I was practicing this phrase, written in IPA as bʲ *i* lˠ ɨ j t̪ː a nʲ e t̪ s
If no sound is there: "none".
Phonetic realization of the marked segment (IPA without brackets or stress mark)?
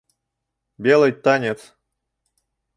e